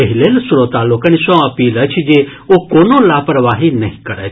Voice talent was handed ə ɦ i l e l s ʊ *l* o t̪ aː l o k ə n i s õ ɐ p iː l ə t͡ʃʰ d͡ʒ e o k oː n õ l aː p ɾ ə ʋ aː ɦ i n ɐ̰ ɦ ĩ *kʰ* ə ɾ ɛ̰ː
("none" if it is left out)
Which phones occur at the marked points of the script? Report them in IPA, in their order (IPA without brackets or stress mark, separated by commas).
ɾ, k